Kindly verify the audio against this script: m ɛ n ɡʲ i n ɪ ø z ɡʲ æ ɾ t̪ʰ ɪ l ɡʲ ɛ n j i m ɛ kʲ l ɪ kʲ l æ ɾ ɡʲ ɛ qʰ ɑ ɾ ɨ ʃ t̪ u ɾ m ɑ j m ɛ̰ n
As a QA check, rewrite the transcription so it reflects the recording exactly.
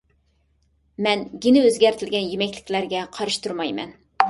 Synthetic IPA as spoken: m ɛ n ɡʲ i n ɪ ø z ɡʲ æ ɾ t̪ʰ ɪ l ɡʲ ɛ n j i m ɛ kʲ l ɪ kʲ l æ ɾ ɡʲ ɛ qʰ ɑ ɾ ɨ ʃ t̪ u ɾ m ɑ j m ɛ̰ n